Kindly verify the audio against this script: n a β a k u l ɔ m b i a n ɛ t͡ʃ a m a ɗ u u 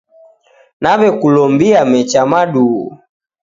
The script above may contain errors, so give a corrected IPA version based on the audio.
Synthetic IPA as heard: n a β ɛ k u l ɔ m b i a m ɛ t͡ʃ a m a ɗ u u